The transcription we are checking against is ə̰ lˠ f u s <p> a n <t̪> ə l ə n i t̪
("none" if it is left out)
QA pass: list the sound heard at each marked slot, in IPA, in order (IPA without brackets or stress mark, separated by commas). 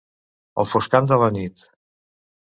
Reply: k, d̪